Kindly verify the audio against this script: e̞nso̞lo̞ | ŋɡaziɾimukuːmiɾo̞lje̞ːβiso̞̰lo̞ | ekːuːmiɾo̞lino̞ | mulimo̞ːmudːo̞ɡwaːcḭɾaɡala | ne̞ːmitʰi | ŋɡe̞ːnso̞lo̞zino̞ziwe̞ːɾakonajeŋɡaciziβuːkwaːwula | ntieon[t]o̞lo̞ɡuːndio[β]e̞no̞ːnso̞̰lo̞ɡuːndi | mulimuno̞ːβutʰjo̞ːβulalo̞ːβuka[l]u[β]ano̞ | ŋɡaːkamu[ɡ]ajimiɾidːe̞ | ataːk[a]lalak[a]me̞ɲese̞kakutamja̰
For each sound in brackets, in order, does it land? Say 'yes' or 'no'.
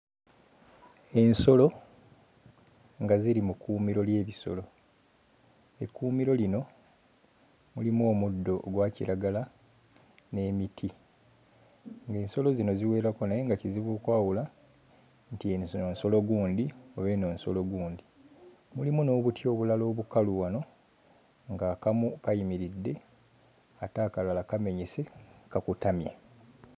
no, yes, yes, no, no, yes, yes

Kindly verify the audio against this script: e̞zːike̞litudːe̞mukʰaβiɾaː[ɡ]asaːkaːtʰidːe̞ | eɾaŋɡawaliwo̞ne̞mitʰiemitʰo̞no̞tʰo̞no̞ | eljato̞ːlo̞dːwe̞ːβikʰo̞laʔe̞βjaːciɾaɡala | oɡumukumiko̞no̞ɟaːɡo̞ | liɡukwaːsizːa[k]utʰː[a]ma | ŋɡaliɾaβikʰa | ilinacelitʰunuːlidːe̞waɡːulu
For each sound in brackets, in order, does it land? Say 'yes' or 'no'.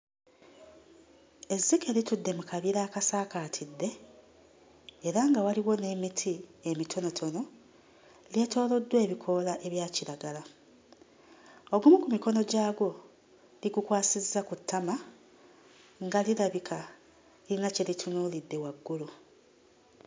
no, yes, yes

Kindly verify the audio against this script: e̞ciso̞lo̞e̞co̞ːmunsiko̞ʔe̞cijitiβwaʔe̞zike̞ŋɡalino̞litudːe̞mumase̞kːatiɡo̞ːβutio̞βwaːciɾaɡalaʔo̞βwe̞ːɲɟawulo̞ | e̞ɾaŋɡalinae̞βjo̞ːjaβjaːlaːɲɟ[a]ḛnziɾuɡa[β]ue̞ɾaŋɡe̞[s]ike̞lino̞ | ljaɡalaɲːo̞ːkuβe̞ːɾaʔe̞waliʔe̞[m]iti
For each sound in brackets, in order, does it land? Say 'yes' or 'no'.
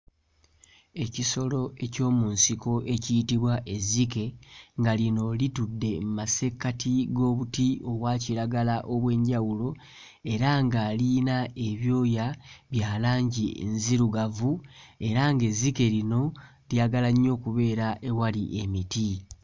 no, no, no, yes

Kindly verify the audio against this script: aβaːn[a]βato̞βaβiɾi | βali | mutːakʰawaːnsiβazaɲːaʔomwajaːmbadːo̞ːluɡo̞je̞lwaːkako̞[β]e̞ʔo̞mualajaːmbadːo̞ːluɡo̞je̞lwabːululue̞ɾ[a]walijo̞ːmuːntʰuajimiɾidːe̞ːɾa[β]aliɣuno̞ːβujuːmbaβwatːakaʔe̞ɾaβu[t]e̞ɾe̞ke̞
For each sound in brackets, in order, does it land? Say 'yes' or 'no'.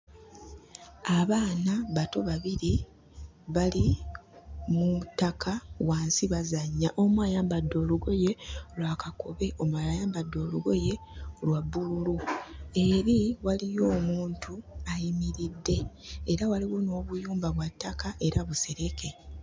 yes, yes, no, no, no

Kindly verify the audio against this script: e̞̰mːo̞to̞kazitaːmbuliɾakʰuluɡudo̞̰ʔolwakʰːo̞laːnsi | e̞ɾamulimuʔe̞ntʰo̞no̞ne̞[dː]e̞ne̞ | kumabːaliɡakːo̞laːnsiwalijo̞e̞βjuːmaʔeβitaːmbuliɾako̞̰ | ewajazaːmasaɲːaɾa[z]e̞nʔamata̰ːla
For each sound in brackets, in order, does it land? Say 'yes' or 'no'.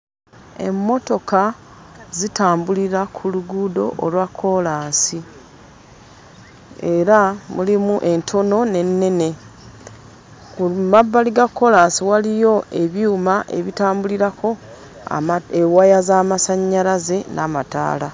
no, yes

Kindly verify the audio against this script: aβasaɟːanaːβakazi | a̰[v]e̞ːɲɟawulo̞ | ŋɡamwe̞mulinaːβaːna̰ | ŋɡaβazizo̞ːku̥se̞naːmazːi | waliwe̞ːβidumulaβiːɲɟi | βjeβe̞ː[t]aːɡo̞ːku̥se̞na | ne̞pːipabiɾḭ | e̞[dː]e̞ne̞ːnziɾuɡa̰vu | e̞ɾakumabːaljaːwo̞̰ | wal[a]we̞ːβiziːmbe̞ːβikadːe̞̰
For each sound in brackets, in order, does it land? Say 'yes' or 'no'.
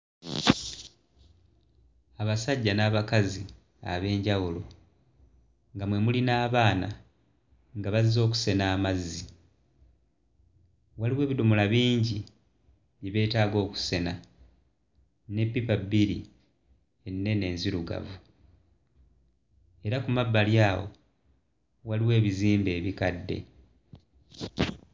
no, yes, no, no

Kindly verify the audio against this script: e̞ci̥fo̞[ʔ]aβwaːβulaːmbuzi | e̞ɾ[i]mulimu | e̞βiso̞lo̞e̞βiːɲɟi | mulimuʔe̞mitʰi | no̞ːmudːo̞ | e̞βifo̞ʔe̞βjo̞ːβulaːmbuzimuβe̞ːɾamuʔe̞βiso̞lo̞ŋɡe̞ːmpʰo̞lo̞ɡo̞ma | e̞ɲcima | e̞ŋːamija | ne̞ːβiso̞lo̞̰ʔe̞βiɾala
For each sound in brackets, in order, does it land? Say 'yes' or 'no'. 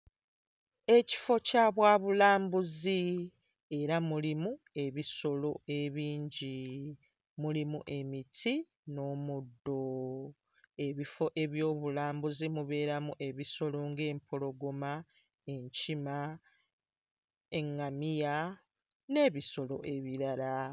no, no

